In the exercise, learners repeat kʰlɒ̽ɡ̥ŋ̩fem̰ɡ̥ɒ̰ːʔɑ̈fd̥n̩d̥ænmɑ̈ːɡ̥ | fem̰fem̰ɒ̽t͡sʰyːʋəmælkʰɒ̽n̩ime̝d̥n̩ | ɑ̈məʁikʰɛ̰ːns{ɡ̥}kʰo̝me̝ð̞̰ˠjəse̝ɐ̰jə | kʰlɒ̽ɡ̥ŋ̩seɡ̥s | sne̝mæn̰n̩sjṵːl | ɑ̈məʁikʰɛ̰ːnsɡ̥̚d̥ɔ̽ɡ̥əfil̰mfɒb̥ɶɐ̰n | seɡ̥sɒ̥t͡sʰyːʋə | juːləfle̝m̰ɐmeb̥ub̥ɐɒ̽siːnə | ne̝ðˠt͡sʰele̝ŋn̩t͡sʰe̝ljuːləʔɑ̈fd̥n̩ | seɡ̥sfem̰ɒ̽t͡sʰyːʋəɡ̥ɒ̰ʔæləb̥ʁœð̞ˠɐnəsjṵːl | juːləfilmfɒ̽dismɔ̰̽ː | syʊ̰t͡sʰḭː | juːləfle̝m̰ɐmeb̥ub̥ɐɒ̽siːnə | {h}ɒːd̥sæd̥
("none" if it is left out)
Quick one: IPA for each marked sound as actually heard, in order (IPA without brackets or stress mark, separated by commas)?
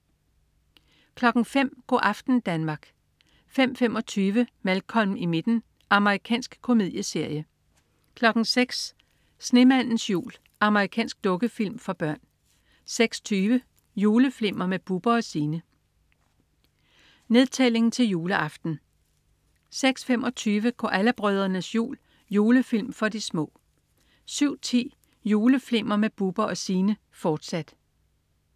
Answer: ɡ̥, f